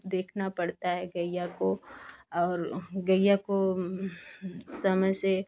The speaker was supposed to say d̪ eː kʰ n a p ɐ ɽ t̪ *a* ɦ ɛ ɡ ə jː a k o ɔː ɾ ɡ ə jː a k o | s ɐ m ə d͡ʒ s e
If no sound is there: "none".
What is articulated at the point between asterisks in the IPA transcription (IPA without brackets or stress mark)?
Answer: a